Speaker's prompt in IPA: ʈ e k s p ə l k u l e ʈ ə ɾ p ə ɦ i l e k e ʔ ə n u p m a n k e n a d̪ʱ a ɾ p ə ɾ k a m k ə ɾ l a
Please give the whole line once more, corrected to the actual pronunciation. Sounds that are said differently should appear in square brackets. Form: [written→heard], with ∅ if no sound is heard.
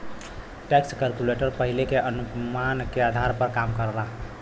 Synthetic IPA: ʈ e k s [p→k] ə l k u l e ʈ ə ɾ p ə ɦ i l e k e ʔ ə n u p m a n k e [n→∅] a d̪ʱ a ɾ p ə ɾ k a m k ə ɾ l a